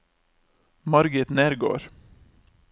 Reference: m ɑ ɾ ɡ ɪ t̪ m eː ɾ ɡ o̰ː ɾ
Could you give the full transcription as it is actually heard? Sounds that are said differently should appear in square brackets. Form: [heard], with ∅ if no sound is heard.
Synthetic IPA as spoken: m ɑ ɾ ɡ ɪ t̪ [n] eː ɾ ɡ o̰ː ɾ